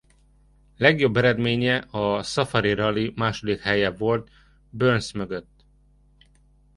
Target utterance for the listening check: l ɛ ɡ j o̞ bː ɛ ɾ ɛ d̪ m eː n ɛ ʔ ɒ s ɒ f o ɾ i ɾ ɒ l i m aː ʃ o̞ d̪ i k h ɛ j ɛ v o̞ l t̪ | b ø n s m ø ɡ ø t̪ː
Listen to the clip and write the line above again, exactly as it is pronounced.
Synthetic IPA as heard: l ɛ ɡ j o̞ bː ɛ ɾ ɛ d̪ m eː ɲ ɛ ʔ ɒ s ɒ f ɒ ɾ i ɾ ɒ l i m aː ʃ o̞ d̪ i k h ɛ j ɛ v o̞ l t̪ | b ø n s m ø ɡ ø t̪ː